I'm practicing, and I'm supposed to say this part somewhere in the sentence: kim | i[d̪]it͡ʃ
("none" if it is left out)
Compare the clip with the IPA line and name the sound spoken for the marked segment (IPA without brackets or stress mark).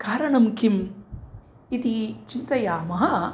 t̪